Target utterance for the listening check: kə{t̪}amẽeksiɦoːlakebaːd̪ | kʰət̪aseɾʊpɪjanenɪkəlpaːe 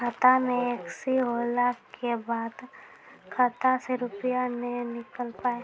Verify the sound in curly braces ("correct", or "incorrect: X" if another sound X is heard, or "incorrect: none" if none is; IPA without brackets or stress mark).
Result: correct